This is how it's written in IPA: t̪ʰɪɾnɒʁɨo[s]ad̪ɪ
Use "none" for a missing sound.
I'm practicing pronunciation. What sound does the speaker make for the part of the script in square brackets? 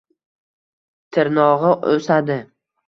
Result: s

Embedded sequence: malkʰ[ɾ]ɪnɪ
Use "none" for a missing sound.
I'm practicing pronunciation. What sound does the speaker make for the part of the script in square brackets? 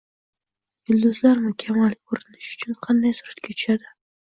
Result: ɾ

